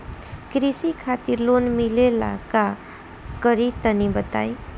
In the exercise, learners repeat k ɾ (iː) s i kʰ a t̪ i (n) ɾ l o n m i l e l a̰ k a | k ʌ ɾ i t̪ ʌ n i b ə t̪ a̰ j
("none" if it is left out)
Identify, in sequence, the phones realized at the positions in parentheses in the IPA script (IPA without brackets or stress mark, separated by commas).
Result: i, none